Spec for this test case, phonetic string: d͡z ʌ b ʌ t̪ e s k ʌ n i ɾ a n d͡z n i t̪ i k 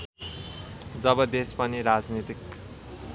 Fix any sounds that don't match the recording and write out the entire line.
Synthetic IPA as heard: d͡z ʌ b ʌ d̪ e s p ʌ n i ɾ a d͡z n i t̪ i k